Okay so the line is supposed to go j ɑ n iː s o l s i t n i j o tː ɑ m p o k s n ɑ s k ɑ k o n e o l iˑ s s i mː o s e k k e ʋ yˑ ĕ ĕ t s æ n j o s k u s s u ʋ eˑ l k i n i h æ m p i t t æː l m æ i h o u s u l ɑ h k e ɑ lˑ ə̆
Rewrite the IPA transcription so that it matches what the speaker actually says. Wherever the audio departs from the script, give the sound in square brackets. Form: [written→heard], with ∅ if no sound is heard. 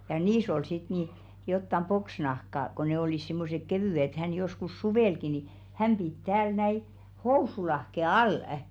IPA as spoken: j ɑ n iː s o l s i t n i j o tː ɑ m p o k s n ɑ [s→h] k ɑ k o n e o l iˑ s s i mː o s e k k e ʋ yˑ ĕ ĕ t [s→h] æ n j o s k u s s u ʋ eˑ l k i n i h æ m p i t t æː l [m→n] æ i h o u s u l ɑ h k e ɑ lˑ ə̆